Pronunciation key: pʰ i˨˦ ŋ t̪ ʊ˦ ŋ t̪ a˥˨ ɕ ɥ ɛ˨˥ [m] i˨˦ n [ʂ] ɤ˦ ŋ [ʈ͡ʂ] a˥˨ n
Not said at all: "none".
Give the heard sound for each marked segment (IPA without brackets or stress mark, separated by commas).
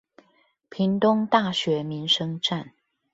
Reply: m, ʂ, ʈ͡ʂ